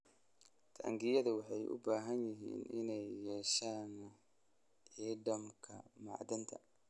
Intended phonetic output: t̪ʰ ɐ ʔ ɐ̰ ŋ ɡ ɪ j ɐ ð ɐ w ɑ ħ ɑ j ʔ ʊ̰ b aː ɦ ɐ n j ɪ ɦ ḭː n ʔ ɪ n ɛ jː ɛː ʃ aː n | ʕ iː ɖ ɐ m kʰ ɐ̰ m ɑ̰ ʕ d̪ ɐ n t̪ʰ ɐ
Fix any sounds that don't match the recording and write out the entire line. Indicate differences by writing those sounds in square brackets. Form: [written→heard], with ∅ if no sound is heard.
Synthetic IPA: t̪ʰ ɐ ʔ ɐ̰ ŋ ɡ ɪ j ɐ ð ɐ w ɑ ħ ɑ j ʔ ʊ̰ b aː ɦ ɐ n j ɪ ɦ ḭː n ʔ ɪ n ɛ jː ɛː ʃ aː n | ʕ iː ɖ ɐ m kʰ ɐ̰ m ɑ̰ ʕ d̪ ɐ n t̪ʰ ɐ